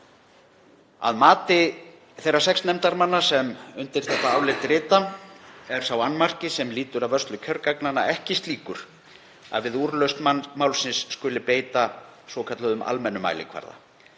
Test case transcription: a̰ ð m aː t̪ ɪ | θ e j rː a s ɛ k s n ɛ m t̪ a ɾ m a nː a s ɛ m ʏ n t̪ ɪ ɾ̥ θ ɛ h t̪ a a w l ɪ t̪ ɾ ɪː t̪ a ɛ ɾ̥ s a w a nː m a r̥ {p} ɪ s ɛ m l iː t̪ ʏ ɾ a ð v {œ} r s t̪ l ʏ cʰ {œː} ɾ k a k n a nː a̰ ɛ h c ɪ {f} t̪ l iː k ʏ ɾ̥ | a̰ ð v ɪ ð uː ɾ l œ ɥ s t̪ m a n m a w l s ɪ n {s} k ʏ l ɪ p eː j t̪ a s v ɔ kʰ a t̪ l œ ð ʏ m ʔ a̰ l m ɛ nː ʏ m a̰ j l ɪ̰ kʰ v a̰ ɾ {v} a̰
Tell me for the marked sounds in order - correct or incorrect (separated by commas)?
incorrect, correct, incorrect, incorrect, incorrect, incorrect